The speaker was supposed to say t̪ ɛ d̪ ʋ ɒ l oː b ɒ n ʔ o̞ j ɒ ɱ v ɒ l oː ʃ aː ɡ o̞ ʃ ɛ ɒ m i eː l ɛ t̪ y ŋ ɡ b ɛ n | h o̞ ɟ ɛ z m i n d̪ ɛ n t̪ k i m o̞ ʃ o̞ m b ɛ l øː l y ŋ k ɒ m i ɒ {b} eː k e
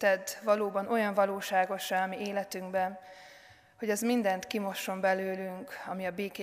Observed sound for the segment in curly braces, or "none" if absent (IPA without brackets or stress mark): b